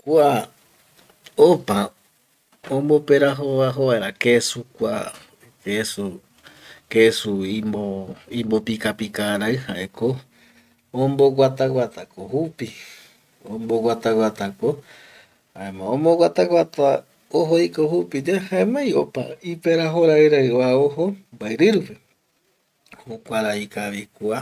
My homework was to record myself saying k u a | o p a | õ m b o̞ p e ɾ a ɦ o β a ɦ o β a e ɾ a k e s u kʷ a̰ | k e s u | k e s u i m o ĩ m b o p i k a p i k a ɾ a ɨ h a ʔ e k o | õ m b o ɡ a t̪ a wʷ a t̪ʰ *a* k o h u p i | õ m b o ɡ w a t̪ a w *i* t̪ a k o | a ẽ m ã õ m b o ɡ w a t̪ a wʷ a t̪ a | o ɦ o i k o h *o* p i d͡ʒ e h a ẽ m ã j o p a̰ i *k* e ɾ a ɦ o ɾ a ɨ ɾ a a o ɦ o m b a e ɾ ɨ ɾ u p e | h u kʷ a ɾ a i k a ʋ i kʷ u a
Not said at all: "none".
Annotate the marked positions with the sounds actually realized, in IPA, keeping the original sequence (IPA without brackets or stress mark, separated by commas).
a, a, u, p